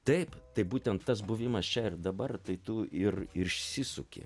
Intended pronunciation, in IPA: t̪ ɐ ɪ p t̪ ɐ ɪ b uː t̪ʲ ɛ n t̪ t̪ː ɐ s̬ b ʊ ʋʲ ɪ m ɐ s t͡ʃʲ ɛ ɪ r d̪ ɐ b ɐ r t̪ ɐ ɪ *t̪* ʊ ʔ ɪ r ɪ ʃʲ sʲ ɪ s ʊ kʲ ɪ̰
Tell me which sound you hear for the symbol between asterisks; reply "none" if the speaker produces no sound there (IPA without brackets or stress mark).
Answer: t̪